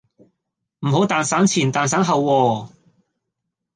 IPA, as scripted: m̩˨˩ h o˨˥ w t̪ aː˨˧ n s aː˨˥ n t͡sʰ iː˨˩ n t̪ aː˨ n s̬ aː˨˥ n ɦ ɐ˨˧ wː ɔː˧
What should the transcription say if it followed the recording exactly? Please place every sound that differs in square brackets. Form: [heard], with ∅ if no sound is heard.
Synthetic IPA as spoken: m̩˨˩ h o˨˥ w t̪ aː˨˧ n s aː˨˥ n t͡sʰ iː˨˩ n t̪ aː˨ n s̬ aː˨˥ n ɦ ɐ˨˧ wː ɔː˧